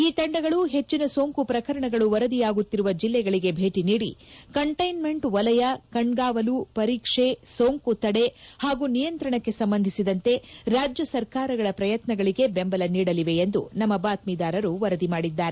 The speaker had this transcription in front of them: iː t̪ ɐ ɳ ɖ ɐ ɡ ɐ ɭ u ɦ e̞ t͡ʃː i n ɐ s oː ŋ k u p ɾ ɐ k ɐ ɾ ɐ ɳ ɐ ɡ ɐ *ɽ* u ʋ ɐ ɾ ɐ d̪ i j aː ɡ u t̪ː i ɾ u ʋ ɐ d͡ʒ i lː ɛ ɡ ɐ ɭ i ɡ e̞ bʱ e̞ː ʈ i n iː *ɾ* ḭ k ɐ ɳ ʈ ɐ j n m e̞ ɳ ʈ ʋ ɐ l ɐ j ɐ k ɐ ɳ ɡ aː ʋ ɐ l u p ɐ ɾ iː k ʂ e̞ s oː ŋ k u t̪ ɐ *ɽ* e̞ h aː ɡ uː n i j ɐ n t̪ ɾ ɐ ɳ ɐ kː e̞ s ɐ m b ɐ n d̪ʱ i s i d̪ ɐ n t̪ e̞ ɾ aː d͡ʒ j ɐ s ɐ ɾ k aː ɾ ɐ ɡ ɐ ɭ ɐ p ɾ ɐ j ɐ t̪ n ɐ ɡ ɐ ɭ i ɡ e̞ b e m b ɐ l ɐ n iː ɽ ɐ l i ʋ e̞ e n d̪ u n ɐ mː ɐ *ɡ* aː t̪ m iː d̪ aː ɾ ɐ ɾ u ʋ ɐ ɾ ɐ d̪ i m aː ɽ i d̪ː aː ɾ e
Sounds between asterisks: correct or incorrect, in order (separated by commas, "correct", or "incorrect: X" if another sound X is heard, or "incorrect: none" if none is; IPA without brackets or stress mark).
incorrect: ɭ, incorrect: ɽ, correct, incorrect: b